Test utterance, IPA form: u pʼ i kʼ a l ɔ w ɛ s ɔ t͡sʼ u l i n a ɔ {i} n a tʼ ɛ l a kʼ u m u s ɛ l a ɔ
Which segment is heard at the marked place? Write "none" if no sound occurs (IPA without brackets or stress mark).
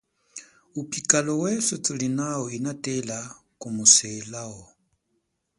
i